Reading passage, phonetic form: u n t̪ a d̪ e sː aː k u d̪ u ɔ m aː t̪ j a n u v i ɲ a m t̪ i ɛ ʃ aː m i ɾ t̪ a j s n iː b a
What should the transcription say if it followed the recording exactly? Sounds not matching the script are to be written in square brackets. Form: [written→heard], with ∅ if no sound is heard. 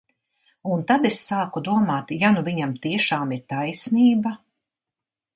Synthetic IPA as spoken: u n t̪ a d̪ e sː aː k u d̪ u ɔ m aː t̪ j a n u v i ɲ a m t̪ i ɛ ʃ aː m i ɾ t̪ a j s n iː b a

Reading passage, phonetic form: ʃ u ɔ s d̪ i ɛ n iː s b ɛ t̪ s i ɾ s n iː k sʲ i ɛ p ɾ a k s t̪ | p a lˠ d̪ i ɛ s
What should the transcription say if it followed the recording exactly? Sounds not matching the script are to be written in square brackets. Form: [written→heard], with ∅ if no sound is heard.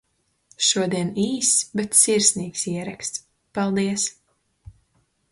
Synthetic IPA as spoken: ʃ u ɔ [s→∅] d̪ i ɛ n iː s b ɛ t̪ s i ɾ s n iː k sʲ i ɛ [p→∅] ɾ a k s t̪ | p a lˠ d̪ i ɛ s

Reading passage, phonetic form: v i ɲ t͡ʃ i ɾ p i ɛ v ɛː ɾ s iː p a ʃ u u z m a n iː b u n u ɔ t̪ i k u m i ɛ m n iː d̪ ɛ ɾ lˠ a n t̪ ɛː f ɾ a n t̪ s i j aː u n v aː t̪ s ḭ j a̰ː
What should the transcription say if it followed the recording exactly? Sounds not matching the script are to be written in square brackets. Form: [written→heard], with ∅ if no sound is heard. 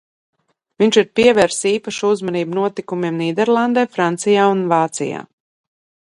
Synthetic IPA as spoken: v i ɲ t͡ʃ i ɾ p i ɛ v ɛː ɾ s iː p a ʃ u u z m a n iː b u n u ɔ t̪ i k u m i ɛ m n iː d̪ ɛ ɾ lˠ a n [t̪→d̪] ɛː f ɾ a n t̪ s i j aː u n v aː t̪ s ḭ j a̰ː

